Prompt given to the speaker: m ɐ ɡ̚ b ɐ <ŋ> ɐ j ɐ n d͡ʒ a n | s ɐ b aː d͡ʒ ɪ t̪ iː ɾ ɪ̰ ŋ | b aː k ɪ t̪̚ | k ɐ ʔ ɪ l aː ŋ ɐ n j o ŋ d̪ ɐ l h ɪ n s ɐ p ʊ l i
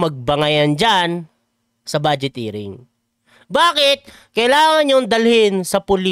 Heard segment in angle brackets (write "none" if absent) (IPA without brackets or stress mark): ŋ